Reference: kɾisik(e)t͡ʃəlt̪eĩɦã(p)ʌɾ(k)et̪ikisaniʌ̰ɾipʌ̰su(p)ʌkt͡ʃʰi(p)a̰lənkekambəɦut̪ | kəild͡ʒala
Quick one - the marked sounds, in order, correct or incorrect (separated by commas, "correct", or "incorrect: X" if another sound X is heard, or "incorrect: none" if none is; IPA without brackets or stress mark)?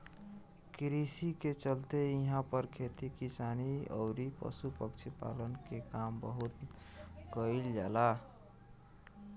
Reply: correct, correct, incorrect: kʰ, correct, correct